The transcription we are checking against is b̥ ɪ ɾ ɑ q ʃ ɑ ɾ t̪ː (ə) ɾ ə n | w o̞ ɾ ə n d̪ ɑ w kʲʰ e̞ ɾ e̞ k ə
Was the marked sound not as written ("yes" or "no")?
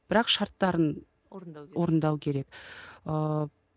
yes